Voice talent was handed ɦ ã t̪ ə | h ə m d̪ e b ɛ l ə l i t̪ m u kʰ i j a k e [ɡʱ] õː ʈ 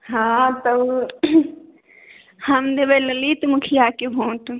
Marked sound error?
yes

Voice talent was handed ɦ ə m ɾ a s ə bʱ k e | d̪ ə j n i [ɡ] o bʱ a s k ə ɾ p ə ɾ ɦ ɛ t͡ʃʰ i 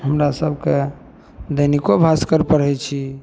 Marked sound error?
yes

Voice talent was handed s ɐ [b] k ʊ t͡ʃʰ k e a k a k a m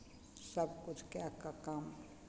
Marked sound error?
no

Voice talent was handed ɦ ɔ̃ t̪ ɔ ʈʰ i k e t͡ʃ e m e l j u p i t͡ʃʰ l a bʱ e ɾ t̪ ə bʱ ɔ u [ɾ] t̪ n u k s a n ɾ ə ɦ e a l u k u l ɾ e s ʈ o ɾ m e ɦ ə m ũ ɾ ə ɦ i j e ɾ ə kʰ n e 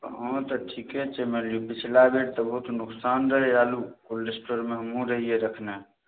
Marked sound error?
yes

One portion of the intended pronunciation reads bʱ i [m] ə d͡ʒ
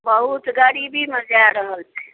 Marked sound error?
no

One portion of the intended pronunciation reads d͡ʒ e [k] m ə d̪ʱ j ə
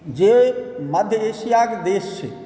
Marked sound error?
yes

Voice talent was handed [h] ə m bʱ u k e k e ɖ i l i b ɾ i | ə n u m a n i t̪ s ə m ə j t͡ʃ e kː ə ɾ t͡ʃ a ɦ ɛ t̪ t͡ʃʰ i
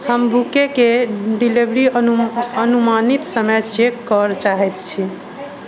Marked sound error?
no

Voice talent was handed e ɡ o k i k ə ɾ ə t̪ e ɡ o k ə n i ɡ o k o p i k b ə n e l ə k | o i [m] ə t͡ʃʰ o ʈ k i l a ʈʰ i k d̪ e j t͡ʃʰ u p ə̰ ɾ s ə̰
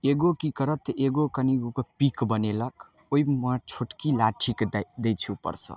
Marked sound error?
no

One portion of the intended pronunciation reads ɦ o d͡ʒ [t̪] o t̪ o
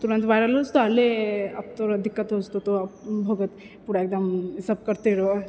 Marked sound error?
no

